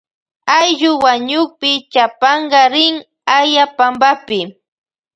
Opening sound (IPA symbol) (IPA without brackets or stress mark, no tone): a